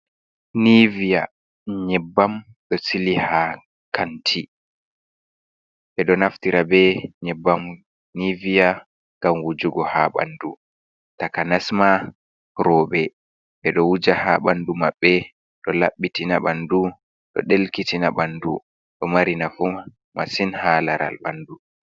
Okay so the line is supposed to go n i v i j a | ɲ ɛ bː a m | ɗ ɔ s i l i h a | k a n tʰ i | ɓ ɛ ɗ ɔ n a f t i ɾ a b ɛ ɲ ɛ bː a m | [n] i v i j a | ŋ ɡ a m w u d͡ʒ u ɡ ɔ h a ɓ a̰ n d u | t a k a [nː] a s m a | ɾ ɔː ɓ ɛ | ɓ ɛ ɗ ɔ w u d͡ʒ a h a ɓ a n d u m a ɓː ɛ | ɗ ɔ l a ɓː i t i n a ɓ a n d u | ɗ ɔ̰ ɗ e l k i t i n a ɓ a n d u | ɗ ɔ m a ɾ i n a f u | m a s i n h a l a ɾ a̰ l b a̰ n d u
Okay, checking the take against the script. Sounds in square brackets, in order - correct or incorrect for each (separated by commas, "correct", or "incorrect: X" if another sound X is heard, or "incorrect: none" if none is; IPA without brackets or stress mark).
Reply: correct, incorrect: n